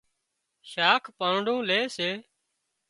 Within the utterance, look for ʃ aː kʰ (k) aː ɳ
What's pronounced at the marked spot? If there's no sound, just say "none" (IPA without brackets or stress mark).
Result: p